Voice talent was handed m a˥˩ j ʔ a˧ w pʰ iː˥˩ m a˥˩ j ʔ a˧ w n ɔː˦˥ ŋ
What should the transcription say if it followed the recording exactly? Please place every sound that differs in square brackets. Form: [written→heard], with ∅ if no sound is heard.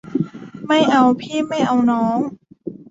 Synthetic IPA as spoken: m a˥˩ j ʔ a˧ w pʰ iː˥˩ m a˥˩ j ʔ a˧ w n ɔː˦˥ ŋ